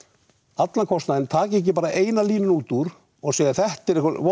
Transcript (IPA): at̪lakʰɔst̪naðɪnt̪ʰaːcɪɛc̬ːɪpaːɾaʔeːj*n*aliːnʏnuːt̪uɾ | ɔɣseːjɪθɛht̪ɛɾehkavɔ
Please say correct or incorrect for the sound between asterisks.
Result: correct